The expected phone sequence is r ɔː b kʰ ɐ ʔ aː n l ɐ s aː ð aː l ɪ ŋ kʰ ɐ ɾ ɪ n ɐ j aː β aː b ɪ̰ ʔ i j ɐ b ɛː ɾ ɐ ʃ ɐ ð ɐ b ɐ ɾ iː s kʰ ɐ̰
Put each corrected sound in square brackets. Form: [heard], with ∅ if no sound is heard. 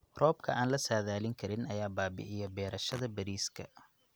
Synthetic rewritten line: r ɔː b kʰ ɐ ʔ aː n l ɐ s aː ð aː l ɪ ŋ kʰ ɐ ɾ ɪ n ɐ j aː [b] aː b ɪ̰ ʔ [ɪ] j ɐ b ɛː ɾ ɐ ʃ ɐ ð ɐ b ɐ ɾ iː s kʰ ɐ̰